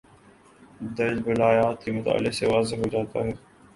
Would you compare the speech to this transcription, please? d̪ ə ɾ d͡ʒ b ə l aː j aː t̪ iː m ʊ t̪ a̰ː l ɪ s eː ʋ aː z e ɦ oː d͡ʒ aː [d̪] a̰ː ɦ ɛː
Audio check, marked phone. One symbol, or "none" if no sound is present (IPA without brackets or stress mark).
t̪